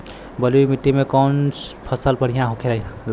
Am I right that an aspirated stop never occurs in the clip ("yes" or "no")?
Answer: no